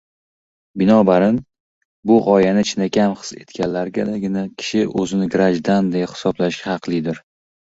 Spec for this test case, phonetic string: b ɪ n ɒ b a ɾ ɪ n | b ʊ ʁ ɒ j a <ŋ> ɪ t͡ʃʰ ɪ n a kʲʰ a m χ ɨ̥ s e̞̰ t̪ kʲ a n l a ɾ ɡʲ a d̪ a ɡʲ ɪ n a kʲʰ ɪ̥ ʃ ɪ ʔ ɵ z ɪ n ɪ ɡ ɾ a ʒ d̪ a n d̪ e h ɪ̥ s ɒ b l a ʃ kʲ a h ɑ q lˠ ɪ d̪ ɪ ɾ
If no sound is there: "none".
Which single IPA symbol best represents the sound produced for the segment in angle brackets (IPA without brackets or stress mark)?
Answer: n